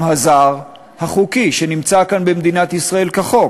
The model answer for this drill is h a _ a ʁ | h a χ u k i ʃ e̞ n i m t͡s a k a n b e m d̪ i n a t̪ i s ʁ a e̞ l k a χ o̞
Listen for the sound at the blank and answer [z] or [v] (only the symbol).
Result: z